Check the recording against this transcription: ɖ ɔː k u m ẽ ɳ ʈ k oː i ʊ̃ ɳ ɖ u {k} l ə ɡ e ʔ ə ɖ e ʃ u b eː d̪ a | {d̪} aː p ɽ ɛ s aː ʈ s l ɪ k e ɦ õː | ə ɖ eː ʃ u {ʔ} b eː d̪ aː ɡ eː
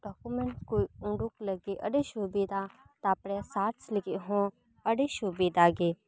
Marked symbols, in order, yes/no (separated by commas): yes, no, no